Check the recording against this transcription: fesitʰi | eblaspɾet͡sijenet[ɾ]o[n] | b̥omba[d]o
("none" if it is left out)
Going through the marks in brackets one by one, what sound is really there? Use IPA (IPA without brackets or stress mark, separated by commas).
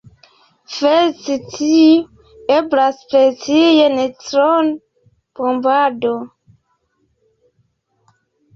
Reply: ɾ, n, d